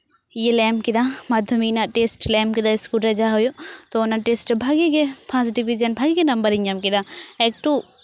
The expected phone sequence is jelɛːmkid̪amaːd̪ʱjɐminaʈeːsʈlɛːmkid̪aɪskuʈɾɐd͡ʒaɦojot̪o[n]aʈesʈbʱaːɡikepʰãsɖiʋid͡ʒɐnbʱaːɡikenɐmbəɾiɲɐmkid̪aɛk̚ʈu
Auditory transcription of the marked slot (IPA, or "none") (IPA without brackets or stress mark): n